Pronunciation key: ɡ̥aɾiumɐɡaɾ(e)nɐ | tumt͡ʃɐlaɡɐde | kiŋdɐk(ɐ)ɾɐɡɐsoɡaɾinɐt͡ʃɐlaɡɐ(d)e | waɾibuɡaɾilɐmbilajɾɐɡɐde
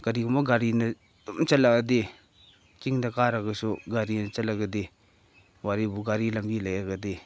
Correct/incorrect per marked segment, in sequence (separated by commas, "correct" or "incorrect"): incorrect, incorrect, correct